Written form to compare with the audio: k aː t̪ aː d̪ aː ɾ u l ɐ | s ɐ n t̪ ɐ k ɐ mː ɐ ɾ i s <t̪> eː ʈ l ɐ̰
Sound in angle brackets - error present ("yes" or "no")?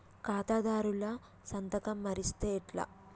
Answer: no